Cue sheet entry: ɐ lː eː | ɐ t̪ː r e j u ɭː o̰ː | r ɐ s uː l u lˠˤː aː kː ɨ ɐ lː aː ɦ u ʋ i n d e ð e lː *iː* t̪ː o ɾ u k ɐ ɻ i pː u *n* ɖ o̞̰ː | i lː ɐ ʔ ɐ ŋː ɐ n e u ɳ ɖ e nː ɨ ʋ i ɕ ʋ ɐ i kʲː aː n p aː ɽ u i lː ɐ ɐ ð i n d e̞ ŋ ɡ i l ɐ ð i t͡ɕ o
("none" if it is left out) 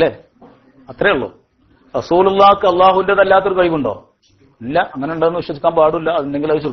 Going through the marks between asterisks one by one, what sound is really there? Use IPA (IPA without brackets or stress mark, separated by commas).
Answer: aː, ɳ